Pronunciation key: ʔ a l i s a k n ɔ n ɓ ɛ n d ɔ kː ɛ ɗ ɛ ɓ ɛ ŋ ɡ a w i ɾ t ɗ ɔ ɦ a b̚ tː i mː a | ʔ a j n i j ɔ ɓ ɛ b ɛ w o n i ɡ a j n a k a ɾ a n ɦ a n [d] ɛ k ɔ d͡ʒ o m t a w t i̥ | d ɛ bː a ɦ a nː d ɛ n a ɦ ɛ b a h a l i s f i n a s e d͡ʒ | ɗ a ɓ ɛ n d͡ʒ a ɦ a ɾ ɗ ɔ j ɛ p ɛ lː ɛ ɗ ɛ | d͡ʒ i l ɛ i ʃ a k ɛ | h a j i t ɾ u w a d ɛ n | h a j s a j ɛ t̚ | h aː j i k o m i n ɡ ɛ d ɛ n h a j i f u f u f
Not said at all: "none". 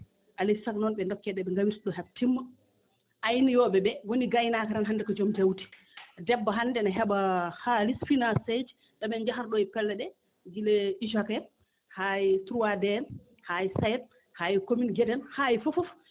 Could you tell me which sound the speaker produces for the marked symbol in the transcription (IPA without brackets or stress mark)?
d